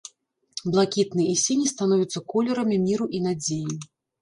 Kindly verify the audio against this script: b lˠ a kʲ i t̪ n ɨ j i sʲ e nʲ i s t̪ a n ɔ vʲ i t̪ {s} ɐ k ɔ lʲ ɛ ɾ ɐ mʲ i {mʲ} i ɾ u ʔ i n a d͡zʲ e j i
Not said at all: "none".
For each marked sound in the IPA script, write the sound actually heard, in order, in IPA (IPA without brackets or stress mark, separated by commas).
sː, mʲ